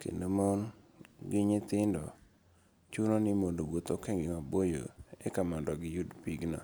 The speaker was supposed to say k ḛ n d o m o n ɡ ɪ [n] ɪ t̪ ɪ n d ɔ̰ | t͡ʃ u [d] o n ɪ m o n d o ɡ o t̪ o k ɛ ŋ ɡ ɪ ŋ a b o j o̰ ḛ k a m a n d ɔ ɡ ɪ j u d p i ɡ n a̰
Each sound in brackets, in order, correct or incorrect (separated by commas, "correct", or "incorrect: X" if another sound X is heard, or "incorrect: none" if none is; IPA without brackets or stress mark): incorrect: ɲ, incorrect: n